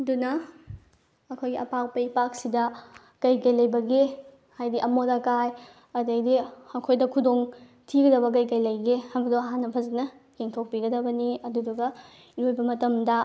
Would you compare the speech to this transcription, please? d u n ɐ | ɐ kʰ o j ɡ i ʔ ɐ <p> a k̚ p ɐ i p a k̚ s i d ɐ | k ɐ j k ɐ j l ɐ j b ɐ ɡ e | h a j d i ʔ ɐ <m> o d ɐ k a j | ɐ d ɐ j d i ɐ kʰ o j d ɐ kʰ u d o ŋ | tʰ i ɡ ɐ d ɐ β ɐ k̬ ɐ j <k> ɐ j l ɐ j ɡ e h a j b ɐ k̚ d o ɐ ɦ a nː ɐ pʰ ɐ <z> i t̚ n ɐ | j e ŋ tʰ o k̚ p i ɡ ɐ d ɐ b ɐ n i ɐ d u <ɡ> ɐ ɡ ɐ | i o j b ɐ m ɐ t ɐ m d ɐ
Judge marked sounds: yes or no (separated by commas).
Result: yes, yes, yes, yes, no